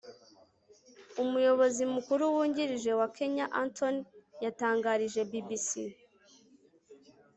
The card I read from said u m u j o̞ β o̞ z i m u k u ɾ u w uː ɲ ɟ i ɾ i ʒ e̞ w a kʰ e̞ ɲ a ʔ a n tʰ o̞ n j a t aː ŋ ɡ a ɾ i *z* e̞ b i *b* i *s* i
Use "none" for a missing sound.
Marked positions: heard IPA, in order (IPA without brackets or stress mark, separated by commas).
ʒ, b, s